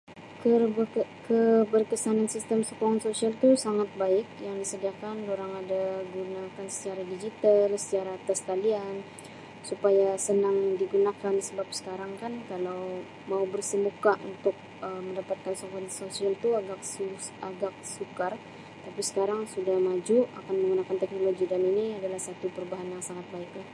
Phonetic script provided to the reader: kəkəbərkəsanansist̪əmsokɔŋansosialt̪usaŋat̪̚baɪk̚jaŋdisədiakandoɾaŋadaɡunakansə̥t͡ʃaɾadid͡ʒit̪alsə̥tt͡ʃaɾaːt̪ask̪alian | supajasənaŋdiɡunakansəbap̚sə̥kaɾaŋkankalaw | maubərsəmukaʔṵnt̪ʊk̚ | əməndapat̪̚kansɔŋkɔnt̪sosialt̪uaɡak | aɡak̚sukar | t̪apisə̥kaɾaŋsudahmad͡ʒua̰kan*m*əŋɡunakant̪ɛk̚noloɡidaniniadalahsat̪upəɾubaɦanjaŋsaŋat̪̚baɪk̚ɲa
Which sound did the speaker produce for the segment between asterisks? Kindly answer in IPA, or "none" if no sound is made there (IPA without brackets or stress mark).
m